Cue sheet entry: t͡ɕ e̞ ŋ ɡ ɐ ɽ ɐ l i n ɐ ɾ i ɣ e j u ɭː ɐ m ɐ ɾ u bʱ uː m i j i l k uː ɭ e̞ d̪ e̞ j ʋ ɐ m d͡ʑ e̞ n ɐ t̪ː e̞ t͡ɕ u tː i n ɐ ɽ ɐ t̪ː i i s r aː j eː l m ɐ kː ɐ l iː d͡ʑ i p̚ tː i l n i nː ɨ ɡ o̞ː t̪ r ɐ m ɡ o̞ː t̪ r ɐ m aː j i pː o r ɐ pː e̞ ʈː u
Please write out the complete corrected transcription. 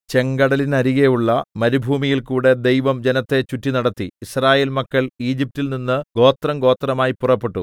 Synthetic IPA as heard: t͡ɕ e̞ ŋ ɡ ɐ ɽ ɐ l i n ɐ ɾ i ɣ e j u ɭː ɐ m ɐ ɾ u bʱ uː m i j i l k uː ɽ e̞ d̪ e̞ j ʋ ɐ m d͡ʑ e̞ n ɐ t̪ː e̞ t͡ɕ u tː i n ɐ ɽ ɐ t̪ː i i s r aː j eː l m ɐ kː ɐ ɭ iː d͡ʑ i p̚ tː i l n i nː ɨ ɡ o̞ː t̪ r ɐ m ɡ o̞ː t̪ r ɐ m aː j i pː u r ɐ pː e̞ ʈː u

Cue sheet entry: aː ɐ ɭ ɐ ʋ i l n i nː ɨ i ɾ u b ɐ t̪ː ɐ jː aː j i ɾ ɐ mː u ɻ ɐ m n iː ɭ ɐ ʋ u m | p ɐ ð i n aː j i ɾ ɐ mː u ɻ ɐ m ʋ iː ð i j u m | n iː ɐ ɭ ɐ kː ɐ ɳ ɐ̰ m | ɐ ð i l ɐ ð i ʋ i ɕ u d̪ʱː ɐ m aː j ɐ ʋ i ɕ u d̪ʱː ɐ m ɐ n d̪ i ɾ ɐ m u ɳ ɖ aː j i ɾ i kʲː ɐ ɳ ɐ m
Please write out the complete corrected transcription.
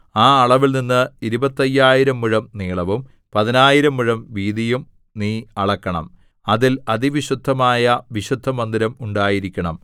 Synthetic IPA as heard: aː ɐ ɭ ɐ ʋ i l n i nː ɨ i ɾ u b ɐ t̪ː ɐ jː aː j i ɾ ɐ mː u ɻ ɐ m n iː ɭ ɐ ʋ u m | p ɐ ð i n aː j i ɾ ɐ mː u ɻ ɐ m ʋ iː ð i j u m | n iː ɐ ɭ ɐ kː ɐ ɳ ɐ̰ m | ɐ ð i l ɐ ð i ʋ i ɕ u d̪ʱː ɐ m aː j ɐ ʋ i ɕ u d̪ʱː ɐ m ɐ n d̪ i ɾ ɐ m u ɳ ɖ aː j i ɾ i kʲː ɐ ɳ ɐ m

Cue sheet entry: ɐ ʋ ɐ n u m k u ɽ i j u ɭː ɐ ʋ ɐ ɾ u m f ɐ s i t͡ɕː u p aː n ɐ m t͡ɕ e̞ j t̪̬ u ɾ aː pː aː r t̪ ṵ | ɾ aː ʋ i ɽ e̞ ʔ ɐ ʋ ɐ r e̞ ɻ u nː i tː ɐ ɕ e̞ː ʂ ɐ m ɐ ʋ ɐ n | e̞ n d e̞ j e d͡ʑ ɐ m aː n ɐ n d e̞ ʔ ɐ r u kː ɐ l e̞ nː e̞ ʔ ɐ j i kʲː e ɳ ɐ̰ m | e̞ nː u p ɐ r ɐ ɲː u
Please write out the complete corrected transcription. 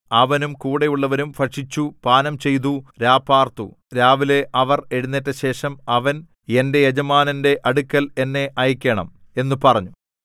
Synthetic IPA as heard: ɐ ʋ ɐ n u m k uː ɽ e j u ɭː ɐ ʋ ɐ ɾ u m f ɐ ʂ i t͡ɕː u p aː n ɐ m t͡ɕ e̞ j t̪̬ u ɾ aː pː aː r t̪ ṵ | ɾ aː ʋ i l e̞ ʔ ɐ ʋ ɐ r e̞ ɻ u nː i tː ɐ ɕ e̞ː ʂ ɐ m ɐ ʋ ɐ n | e̞ n d e̞ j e d͡ʑ ɐ m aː n ɐ n d e̞ ʔ ɐ ɽ u kː ɐ l e̞ nː e̞ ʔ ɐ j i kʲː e ɳ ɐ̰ m | e̞ nː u p ɐ r ɐ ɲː u

